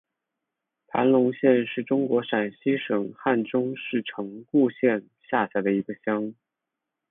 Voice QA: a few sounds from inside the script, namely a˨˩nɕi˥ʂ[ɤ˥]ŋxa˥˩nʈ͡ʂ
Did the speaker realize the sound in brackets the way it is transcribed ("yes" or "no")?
no